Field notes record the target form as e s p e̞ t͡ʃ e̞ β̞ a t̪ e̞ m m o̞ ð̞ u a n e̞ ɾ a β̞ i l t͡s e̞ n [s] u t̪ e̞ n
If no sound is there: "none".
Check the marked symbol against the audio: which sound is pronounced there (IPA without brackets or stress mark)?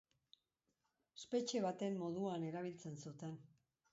s